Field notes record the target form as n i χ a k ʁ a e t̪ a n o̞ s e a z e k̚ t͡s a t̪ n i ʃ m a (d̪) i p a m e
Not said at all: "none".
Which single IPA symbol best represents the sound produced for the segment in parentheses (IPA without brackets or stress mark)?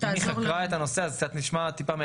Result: t̪